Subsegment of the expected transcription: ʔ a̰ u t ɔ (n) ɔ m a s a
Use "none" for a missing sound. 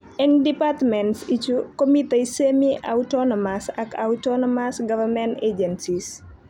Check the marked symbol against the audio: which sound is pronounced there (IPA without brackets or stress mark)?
n